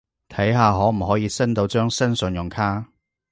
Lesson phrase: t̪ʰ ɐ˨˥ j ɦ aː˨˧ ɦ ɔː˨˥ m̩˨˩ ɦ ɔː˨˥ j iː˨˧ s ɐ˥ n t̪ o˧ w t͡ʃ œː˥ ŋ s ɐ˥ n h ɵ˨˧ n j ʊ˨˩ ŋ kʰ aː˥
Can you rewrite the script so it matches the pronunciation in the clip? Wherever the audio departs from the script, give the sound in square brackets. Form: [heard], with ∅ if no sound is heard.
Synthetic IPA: t̪ʰ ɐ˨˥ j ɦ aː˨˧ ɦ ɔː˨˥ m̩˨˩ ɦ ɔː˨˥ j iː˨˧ s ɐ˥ n t̪ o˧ w t͡ʃ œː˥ ŋ s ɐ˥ n [s] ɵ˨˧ n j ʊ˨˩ ŋ kʰ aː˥